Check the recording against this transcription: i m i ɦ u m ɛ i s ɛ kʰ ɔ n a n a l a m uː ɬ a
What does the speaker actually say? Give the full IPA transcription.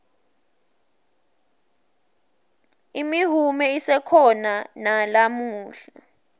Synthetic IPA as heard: i m i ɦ u m ɛ i s ɛ kʰ ɔ n a n a l a m uː ɬ a